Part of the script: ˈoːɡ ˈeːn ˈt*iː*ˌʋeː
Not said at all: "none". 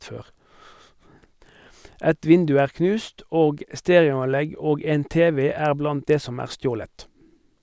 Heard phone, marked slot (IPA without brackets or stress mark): eː